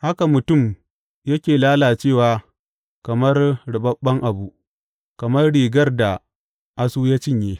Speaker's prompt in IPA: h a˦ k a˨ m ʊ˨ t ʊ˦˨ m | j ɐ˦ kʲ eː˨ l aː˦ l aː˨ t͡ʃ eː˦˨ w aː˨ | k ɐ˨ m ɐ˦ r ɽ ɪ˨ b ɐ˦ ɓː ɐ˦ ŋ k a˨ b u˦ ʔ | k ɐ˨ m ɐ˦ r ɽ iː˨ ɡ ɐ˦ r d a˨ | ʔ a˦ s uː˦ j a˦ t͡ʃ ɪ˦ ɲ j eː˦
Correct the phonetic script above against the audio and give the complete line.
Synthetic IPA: h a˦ k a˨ m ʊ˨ t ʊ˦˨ m | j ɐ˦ kʲ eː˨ l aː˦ l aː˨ t͡ʃ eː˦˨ w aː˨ | k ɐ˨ m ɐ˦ r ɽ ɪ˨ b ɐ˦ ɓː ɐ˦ ŋ ʔ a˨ b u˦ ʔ | k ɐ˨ m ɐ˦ r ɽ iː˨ ɡ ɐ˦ r d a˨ | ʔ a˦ s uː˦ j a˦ t͡ʃ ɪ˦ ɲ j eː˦